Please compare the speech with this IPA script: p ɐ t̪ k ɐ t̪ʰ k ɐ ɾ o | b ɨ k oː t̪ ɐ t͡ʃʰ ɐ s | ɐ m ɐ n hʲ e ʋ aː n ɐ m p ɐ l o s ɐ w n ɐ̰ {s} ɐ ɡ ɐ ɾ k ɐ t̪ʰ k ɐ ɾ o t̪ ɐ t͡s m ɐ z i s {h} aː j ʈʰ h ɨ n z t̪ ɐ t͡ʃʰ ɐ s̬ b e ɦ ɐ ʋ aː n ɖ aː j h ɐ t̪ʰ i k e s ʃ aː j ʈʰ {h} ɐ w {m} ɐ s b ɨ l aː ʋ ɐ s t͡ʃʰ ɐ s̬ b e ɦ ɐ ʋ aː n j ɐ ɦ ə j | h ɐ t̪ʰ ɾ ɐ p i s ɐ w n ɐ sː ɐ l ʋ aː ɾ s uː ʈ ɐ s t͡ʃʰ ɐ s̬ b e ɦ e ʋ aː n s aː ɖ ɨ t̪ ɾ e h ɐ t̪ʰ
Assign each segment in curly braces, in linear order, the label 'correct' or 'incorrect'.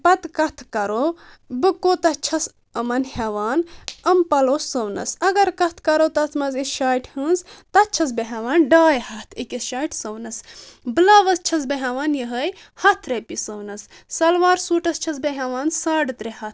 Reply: correct, incorrect: ʃ, incorrect: s, incorrect: n

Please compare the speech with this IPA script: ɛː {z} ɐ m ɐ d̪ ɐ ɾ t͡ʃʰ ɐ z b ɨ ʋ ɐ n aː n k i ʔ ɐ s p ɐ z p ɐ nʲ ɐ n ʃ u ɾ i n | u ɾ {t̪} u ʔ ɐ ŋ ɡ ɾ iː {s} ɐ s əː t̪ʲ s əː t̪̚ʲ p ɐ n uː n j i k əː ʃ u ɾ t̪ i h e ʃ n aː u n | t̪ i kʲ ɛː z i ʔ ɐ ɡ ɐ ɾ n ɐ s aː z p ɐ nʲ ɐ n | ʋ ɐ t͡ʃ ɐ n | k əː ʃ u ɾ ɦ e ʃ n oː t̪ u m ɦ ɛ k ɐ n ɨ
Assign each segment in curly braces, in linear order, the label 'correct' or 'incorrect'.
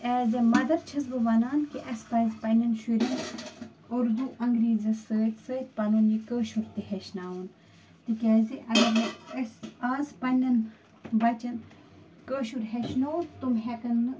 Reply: correct, incorrect: d̪, incorrect: z

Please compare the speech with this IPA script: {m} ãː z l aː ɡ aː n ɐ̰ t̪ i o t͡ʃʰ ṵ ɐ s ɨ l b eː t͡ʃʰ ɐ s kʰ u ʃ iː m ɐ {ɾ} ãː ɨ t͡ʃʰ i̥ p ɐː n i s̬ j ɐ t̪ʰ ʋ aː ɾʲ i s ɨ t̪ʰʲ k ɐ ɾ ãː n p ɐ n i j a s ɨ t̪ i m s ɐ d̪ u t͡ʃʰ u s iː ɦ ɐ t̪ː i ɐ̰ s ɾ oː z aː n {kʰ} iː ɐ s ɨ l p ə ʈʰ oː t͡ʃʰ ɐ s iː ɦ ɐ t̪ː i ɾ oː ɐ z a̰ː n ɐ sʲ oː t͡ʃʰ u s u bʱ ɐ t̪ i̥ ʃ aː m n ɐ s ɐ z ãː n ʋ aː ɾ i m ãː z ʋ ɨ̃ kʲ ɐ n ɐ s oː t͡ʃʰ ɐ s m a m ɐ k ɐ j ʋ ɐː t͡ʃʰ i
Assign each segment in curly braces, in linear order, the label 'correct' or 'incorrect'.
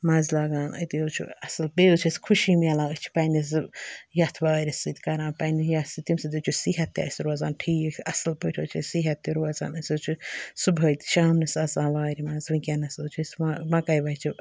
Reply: correct, incorrect: l, incorrect: ʈʰ

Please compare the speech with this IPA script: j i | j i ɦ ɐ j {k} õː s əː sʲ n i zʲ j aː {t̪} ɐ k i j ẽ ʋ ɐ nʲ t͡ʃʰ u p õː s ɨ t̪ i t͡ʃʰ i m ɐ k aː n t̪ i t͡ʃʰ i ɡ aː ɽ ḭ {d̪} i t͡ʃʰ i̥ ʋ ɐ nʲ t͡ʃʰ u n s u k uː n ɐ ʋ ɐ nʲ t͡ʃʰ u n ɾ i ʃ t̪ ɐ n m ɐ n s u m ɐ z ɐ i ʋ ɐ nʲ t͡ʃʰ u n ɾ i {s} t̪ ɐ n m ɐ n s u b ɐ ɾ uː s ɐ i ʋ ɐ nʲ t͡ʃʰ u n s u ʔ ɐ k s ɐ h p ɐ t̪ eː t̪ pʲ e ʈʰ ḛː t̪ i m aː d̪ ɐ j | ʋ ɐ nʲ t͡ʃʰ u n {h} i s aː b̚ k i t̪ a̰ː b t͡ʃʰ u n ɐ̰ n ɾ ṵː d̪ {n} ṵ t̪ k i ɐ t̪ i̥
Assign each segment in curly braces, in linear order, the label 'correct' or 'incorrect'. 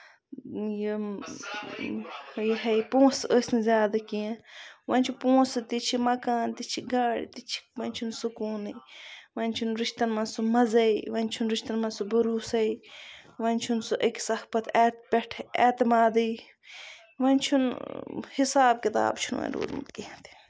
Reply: incorrect: p, incorrect: d̪, incorrect: t̪, incorrect: ʃ, correct, incorrect: m

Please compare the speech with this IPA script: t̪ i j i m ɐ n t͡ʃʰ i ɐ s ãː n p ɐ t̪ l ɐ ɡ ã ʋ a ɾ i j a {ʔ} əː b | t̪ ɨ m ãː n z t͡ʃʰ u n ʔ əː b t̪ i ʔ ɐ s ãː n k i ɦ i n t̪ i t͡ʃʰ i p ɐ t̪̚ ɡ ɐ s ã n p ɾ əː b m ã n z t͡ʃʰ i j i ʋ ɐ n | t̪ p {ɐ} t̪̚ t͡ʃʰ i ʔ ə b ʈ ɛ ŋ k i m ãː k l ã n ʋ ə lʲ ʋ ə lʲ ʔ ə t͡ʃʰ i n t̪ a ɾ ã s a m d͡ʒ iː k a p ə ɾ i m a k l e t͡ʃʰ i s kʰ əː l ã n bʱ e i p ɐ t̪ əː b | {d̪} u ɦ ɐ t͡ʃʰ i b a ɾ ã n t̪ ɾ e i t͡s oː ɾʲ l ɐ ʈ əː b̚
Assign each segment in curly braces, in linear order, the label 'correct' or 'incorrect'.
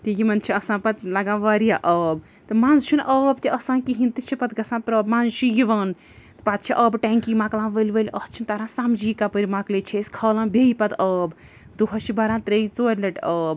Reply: correct, incorrect: a, correct

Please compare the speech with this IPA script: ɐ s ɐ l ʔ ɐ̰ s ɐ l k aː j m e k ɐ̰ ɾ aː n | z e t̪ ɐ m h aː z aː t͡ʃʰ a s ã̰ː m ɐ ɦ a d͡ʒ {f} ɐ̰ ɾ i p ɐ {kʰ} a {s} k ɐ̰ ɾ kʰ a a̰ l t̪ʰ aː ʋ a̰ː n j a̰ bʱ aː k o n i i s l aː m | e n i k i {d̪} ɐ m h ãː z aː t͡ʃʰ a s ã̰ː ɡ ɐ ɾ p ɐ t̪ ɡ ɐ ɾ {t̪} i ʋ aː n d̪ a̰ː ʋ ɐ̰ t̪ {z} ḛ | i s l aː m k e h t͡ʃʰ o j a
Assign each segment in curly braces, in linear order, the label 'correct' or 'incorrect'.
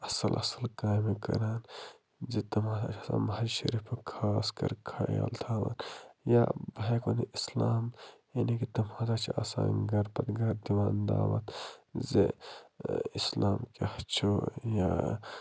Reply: incorrect: ʃ, correct, correct, incorrect: t̪, incorrect: d̪, correct

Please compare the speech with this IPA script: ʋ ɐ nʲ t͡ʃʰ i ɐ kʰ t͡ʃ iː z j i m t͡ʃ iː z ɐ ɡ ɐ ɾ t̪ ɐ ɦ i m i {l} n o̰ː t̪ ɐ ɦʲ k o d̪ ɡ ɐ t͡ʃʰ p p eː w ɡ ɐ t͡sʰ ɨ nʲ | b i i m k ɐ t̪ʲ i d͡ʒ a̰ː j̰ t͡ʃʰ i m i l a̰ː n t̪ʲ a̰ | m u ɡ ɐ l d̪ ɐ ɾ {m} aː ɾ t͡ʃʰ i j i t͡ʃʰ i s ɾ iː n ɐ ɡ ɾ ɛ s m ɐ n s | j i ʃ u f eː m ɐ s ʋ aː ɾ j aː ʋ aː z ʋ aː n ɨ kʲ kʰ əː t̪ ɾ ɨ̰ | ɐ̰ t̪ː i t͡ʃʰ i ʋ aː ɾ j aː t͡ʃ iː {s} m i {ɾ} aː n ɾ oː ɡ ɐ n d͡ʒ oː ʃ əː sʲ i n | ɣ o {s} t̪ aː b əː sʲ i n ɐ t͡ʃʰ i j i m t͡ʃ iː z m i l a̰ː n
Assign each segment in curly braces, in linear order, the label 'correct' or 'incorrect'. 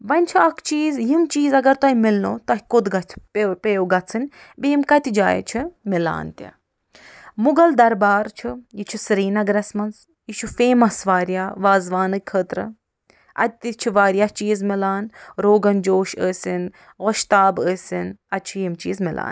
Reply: correct, incorrect: b, incorrect: z, incorrect: l, incorrect: ʃ

